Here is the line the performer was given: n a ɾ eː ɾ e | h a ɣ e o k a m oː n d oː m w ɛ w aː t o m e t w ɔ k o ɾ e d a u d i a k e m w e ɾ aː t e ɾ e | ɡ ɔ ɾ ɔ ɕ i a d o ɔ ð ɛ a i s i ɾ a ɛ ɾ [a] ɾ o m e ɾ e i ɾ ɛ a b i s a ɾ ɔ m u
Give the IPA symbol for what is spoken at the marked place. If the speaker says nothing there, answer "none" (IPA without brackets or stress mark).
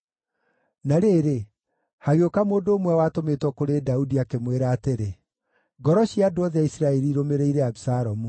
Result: i